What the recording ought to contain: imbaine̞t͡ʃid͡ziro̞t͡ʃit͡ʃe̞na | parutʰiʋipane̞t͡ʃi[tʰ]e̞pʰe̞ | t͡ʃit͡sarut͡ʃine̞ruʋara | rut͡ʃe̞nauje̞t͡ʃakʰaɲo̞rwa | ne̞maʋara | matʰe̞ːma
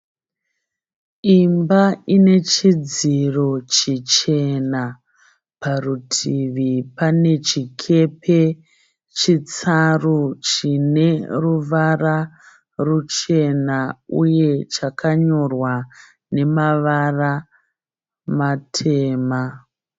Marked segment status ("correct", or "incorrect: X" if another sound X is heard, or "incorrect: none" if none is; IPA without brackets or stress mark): incorrect: kʰ